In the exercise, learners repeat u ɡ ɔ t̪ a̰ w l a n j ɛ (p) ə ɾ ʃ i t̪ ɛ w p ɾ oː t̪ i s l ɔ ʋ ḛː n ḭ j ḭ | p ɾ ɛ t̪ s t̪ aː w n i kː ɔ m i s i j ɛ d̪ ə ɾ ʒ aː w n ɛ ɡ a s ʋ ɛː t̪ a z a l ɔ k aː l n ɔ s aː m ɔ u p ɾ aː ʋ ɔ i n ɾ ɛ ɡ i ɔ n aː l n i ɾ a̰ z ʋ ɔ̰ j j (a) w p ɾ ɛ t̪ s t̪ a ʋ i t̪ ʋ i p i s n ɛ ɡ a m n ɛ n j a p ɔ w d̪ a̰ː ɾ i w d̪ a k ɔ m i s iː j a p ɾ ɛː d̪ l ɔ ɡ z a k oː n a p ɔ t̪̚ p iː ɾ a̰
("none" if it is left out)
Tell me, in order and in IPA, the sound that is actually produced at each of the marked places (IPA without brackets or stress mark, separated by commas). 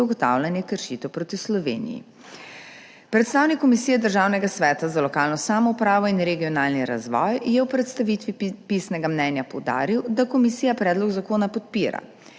k, ɛ